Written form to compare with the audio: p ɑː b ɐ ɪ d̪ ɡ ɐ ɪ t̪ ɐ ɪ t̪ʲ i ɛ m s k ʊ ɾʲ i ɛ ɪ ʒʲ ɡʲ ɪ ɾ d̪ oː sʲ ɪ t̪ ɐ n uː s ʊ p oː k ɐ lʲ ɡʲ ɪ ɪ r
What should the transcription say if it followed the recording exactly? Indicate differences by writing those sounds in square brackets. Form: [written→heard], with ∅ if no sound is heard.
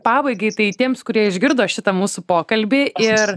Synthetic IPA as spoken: p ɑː b ɐ ɪ [d̪→∅] ɡ ɐ ɪ t̪ ɐ ɪ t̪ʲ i ɛ m s k ʊ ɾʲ i ɛ ɪ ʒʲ ɡʲ ɪ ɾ d̪ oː [sʲ→ʃʲ] ɪ t̪ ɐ [n→m] uː s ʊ p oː k ɐ lʲ [ɡʲ→bʲ] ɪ ɪ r